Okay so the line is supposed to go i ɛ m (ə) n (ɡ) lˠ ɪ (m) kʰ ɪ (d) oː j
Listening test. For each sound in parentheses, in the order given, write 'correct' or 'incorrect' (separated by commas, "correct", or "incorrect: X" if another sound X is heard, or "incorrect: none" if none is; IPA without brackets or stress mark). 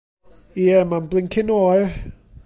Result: incorrect: a, incorrect: b, incorrect: ŋ, incorrect: n